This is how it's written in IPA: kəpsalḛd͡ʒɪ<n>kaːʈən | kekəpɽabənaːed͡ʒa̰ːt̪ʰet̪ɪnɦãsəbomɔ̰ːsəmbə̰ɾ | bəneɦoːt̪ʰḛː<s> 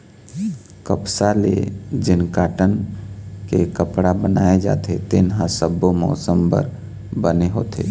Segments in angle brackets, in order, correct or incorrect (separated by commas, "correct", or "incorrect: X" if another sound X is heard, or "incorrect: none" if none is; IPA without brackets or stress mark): correct, incorrect: none